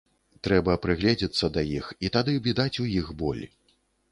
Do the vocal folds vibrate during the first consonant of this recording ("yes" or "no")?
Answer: no